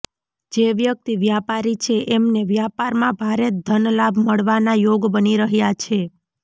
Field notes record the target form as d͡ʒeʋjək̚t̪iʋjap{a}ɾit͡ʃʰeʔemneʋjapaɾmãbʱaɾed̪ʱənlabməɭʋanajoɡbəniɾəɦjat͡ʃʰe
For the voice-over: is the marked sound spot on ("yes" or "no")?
yes